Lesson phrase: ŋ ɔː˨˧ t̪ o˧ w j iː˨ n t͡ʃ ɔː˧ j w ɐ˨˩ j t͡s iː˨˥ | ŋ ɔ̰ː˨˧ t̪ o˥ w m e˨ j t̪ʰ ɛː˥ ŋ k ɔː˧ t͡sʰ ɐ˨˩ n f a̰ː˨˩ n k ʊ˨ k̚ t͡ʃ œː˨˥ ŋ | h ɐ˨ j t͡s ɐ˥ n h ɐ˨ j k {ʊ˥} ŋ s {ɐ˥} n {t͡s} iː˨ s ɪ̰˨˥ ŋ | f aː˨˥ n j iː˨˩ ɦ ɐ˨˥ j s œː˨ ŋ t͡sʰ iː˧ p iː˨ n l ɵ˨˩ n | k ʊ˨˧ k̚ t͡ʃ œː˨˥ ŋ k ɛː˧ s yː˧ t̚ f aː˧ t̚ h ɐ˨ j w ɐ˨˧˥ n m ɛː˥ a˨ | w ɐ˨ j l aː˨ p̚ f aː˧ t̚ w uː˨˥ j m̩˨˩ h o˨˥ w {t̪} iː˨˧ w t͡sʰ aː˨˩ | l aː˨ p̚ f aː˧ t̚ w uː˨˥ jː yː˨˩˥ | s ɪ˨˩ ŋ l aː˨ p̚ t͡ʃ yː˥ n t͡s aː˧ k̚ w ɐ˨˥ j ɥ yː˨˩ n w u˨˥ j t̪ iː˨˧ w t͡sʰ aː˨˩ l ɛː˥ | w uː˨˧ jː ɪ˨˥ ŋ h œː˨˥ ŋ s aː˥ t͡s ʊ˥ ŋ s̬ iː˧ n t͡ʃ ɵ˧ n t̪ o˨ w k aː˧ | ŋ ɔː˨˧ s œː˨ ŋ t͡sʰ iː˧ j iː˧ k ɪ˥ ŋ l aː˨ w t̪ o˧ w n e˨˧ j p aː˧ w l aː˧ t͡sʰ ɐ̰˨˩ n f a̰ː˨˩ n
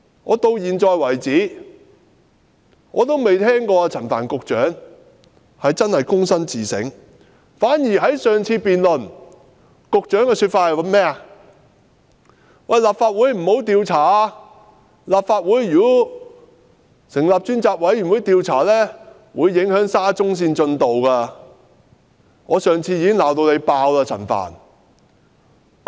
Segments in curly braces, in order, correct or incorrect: correct, correct, correct, correct

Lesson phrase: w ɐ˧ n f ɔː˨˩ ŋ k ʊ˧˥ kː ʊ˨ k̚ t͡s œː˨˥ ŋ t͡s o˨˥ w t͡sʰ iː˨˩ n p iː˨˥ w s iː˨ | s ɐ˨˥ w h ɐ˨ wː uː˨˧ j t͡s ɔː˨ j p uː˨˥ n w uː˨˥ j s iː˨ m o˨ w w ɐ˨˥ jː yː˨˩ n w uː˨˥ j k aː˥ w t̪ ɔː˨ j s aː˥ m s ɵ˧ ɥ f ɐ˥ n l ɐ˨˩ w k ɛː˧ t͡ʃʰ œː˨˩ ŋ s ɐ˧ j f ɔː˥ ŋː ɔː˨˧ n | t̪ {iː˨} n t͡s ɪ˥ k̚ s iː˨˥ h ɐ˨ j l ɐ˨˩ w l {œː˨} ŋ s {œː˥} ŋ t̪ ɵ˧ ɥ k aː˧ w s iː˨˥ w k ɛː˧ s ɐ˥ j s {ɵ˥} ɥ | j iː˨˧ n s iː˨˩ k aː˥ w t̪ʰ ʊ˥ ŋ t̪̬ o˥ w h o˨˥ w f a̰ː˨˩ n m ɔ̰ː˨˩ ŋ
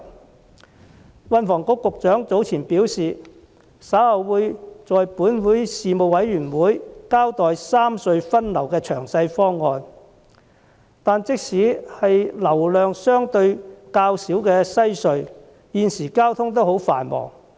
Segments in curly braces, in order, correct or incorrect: incorrect: aː˨, correct, correct, incorrect: ɵ˧

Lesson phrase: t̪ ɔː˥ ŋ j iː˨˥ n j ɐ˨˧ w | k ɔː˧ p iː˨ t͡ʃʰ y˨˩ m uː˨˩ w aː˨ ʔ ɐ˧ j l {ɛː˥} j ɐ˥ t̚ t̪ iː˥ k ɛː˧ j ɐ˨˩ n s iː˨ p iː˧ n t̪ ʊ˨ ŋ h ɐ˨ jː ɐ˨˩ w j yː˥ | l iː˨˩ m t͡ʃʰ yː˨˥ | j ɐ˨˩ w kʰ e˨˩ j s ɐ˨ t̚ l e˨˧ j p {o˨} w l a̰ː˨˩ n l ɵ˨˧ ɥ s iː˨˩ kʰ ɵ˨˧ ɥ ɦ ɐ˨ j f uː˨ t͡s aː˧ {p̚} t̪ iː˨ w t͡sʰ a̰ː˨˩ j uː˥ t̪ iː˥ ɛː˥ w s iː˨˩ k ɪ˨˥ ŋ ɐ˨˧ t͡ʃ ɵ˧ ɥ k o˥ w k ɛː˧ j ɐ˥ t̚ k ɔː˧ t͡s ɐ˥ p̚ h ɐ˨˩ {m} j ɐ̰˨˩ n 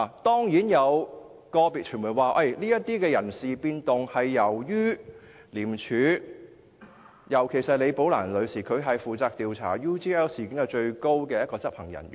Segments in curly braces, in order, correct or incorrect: incorrect: iː˥, incorrect: o˨˥, incorrect: k̚, incorrect: ŋ

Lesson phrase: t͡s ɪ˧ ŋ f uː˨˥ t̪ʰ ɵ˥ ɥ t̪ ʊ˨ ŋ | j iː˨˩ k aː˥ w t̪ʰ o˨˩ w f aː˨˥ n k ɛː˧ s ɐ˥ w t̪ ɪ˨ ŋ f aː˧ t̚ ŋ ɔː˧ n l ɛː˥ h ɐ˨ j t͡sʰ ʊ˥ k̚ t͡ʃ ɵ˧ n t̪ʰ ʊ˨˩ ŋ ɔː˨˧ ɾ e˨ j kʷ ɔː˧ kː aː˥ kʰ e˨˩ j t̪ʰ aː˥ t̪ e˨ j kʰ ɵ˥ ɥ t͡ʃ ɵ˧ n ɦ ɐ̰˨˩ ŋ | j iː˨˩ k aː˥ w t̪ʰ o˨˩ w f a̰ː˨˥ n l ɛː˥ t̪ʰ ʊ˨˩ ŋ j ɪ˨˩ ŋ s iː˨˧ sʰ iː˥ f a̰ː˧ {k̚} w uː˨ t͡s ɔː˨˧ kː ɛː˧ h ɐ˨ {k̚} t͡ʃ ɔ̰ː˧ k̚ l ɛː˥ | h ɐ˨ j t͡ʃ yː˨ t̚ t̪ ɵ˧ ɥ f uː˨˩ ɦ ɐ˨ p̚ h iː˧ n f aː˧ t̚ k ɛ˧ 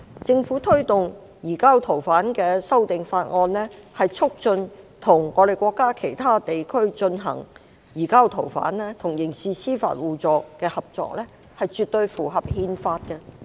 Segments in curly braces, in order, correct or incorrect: incorrect: t̚, incorrect: p̚

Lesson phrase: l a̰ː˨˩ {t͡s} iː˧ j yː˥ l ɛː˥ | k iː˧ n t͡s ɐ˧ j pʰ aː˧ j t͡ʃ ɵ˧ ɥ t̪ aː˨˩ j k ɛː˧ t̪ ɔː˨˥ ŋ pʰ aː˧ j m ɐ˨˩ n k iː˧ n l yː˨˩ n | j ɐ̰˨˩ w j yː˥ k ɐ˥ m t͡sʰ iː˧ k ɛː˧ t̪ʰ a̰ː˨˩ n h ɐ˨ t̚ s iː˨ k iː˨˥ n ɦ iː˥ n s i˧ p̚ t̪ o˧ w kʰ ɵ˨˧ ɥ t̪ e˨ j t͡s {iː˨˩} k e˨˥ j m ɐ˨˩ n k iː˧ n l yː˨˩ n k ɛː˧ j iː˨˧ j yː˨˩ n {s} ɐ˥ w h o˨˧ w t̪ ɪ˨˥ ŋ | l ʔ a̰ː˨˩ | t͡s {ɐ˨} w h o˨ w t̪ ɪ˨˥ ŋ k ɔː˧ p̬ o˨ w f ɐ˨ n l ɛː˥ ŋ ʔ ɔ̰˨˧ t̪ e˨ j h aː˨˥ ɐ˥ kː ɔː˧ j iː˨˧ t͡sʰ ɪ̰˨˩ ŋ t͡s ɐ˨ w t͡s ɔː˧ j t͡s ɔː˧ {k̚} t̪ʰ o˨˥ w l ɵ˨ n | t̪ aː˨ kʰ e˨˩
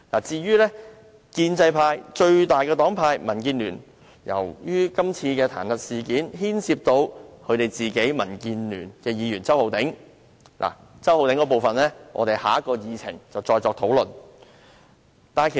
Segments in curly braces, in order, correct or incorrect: correct, correct, incorrect: t͡s, incorrect: ɐ˥, correct

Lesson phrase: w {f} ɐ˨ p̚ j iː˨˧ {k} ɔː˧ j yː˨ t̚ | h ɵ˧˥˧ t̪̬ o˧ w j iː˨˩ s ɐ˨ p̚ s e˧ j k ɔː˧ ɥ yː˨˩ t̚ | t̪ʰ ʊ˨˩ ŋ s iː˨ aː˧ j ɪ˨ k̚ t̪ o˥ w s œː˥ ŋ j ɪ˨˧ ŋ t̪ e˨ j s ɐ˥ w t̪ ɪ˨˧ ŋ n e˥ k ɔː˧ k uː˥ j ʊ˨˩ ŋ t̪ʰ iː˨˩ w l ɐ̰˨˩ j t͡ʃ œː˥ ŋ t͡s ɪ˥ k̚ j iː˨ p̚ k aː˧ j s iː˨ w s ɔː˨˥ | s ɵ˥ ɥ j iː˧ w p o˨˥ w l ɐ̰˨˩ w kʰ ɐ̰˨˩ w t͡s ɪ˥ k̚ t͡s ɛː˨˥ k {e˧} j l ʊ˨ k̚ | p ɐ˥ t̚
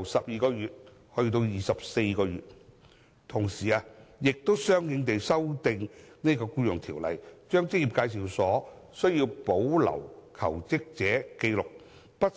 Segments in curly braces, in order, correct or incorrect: incorrect: s, correct, correct

